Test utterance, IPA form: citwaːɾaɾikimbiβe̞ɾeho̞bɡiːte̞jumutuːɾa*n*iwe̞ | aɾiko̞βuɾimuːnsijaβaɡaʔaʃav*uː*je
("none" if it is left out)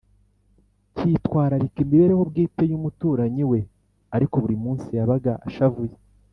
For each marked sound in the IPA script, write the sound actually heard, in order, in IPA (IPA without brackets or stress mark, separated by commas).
ɲ, u